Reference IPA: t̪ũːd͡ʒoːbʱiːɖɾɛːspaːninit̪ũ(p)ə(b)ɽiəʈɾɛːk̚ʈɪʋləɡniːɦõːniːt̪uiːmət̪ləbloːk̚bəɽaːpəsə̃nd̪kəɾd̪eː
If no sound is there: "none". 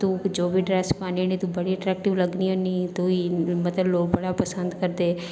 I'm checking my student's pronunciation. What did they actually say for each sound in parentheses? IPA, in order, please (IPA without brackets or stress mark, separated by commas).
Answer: b, none